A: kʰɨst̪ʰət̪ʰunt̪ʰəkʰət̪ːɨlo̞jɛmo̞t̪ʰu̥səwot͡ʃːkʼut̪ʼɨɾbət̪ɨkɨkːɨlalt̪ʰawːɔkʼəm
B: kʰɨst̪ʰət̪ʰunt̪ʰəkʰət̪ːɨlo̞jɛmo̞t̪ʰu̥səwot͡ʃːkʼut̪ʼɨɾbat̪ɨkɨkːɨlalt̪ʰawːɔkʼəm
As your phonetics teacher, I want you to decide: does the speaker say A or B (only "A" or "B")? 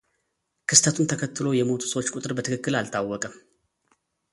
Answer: A